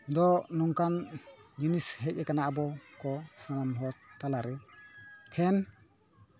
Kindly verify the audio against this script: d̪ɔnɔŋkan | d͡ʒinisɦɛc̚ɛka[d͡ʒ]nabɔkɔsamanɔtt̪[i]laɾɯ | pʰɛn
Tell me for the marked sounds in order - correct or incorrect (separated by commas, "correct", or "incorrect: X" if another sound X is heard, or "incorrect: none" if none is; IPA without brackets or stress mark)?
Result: incorrect: none, incorrect: a